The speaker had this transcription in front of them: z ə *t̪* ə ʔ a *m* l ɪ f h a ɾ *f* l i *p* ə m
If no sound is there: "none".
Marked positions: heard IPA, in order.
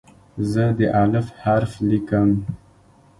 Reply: d̪, none, f, k

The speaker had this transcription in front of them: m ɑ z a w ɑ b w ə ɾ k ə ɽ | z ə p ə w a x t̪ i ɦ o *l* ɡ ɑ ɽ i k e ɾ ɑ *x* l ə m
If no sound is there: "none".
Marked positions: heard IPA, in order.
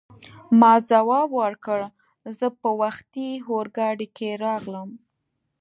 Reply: ɾ, ɣ

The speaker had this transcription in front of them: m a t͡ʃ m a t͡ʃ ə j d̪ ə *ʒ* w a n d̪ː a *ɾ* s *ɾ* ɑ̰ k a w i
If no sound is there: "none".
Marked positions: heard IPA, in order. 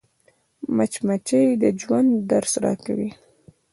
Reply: d͡ʒ, ɾ, ɾ

